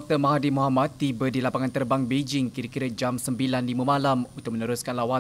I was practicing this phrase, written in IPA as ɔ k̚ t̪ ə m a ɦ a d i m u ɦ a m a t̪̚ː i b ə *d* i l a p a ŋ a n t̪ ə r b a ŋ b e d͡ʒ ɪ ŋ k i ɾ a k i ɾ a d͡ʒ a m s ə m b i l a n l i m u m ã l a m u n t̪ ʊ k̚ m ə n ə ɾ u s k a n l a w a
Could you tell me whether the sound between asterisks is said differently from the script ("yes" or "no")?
no